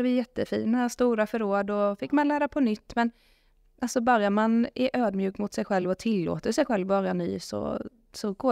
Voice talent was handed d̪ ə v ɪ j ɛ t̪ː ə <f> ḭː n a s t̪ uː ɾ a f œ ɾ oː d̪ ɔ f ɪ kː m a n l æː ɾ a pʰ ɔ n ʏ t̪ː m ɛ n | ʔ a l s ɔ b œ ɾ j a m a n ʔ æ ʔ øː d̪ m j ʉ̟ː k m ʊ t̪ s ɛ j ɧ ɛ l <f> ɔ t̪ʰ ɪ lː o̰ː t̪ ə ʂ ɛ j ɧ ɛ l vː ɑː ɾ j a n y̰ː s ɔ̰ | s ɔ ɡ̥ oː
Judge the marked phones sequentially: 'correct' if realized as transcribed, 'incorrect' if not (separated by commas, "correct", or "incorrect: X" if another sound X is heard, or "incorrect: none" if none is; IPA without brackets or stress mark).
correct, incorrect: v